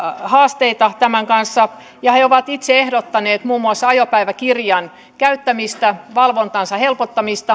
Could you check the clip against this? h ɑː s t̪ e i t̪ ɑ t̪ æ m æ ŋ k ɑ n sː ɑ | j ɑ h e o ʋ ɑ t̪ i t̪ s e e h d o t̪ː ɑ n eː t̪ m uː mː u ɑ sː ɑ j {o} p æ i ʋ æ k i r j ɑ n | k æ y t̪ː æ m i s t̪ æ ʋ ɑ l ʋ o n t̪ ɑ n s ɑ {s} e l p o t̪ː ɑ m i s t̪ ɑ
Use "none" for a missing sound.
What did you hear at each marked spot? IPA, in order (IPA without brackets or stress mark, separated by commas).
o, h